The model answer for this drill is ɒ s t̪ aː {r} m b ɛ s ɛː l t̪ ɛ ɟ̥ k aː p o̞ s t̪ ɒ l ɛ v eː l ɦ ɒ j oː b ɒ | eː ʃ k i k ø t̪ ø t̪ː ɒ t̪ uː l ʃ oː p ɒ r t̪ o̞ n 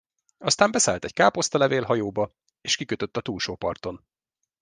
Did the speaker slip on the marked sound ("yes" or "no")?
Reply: yes